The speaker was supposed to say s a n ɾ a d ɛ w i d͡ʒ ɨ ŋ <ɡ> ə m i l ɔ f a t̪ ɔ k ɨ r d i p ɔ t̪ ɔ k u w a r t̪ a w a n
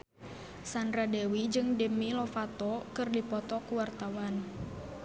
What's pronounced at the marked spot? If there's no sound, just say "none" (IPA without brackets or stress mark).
d